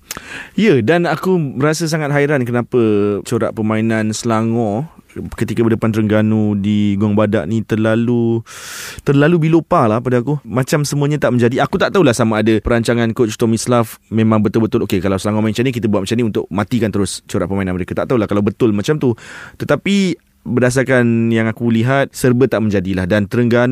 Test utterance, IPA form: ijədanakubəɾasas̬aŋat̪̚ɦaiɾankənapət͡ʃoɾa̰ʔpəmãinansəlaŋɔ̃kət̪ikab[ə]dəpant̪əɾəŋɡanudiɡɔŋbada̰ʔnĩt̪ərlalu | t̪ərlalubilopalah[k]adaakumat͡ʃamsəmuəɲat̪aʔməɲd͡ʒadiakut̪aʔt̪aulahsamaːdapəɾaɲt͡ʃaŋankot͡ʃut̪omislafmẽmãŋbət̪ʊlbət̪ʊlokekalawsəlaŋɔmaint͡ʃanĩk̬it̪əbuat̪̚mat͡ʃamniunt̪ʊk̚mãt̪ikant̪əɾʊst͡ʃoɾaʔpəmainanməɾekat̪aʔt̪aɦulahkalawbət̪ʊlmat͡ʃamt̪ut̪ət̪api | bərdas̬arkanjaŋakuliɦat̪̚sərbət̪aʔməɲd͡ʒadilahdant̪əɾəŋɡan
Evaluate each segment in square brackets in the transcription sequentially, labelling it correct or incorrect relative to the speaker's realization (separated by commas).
correct, incorrect